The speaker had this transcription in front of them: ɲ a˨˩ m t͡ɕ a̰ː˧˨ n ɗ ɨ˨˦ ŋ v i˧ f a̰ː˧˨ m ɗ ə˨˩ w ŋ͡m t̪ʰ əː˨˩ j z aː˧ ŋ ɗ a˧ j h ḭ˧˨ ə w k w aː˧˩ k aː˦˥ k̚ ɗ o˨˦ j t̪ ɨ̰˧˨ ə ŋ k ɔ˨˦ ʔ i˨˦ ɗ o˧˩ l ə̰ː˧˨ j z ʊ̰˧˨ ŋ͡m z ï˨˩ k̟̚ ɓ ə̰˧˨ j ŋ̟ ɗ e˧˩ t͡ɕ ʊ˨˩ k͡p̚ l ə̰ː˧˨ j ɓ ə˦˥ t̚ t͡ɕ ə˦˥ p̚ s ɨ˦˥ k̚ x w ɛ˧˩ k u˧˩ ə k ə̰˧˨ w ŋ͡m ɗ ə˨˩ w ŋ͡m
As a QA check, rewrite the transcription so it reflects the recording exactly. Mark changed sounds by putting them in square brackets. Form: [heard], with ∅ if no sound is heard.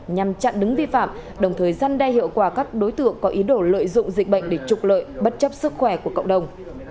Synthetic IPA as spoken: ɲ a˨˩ m t͡ɕ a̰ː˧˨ n ɗ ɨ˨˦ ŋ v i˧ f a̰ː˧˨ m ɗ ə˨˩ w ŋ͡m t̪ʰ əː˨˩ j z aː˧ [n] ɗ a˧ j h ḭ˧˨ ə w k w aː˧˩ k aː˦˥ k̚ ɗ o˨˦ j t̪ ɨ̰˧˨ ə ŋ k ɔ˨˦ ʔ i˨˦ ɗ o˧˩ l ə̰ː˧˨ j z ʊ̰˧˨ ŋ͡m z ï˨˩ k̟̚ ɓ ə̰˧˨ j ŋ̟ ɗ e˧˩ t͡ɕ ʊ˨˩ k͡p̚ l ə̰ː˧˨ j ɓ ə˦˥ t̚ t͡ɕ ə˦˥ p̚ s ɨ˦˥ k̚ x w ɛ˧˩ k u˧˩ ə k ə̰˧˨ w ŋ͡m ɗ ə˨˩ w ŋ͡m

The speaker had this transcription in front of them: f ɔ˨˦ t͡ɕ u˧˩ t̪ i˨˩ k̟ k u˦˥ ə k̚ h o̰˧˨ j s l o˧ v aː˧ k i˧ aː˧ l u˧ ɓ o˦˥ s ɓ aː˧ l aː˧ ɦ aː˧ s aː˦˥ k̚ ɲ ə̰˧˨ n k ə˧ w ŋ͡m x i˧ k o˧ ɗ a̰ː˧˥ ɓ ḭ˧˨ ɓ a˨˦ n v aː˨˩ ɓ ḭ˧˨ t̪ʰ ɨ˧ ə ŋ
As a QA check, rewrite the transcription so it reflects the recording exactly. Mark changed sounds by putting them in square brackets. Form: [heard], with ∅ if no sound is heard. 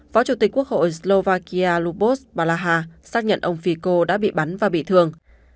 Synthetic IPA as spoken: f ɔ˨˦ t͡ɕ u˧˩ t̪ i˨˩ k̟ k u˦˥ ə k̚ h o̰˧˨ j s l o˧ v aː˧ k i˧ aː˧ l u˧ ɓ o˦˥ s ɓ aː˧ l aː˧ ɦ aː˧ s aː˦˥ k̚ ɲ ə̰˧˨ n [ʔ] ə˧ w ŋ͡m [f] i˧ k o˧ ɗ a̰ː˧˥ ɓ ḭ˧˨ ɓ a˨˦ n v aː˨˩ ɓ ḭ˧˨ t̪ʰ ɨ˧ ə ŋ

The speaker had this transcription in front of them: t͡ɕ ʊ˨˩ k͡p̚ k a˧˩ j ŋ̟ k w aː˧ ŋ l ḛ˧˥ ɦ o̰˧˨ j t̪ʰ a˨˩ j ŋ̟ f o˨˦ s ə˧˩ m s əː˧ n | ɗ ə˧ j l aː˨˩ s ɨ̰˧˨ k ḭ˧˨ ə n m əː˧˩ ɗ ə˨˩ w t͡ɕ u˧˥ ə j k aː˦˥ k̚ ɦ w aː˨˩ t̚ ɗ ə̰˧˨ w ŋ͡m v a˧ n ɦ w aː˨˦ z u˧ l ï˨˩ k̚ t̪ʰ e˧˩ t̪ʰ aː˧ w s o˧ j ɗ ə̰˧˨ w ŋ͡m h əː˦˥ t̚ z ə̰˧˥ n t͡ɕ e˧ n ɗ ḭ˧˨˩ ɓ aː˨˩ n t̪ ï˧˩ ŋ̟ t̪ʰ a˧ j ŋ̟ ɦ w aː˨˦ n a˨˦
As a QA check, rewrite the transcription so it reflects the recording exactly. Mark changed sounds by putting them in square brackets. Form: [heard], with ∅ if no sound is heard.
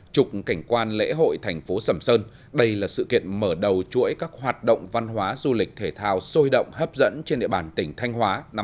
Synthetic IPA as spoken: t͡ɕ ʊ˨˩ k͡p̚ k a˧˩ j ŋ̟ k w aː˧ [n] l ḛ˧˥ ɦ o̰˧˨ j t̪ʰ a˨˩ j ŋ̟ f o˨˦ s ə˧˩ m s əː˧ n | ɗ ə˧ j l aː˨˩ s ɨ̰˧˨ k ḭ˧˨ ə n m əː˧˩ ɗ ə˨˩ w t͡ɕ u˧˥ ə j k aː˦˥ k̚ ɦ w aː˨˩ t̚ ɗ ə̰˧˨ w ŋ͡m v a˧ n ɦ w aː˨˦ z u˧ l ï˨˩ k̚ t̪ʰ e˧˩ t̪ʰ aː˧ w s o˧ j ɗ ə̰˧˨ w ŋ͡m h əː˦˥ [p̚] z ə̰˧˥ n t͡ɕ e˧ n ɗ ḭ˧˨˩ ɓ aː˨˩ n t̪ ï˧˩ ŋ̟ t̪ʰ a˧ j ŋ̟ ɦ w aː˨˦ n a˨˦

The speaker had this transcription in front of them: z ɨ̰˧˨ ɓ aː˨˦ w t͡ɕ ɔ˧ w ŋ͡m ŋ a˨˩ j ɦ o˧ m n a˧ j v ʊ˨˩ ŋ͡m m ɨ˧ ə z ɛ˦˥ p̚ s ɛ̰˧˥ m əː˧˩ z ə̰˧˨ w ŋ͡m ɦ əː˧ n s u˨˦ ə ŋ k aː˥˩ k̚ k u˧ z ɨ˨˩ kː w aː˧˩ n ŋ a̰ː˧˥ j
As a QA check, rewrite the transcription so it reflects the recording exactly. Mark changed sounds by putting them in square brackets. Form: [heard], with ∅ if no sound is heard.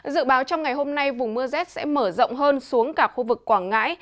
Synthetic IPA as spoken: z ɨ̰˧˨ ɓ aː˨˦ w t͡ɕ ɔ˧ w ŋ͡m ŋ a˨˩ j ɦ o˧ m n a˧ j v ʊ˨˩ ŋ͡m m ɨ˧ ə z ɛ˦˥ [t̚] s ɛ̰˧˥ m əː˧˩ z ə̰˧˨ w ŋ͡m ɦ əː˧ n s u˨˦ ə ŋ k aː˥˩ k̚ [x] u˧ [v] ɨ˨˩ kː w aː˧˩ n ŋ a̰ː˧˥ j

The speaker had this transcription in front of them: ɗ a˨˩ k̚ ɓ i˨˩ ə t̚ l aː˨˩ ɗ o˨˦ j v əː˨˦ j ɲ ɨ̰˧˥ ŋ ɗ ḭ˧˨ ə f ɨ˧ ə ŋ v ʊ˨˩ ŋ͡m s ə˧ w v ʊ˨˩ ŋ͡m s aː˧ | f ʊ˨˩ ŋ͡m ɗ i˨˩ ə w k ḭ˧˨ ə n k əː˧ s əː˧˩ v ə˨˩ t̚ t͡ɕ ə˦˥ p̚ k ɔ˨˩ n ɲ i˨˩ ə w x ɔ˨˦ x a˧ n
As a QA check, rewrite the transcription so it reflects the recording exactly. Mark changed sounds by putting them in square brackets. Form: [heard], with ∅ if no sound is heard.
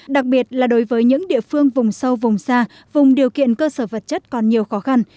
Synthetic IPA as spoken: ɗ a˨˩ k̚ ɓ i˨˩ ə t̚ l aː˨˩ ɗ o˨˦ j v əː˨˦ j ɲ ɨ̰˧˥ ŋ ɗ ḭ˧˨ ə f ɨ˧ ə ŋ v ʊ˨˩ ŋ͡m s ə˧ w v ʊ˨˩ ŋ͡m s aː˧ | [v] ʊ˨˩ ŋ͡m ɗ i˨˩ ə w k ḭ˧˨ ə n k əː˧ s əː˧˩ v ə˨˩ t̚ t͡ɕ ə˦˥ [t̚] k ɔ˨˩ n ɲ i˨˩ ə w x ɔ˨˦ x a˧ n

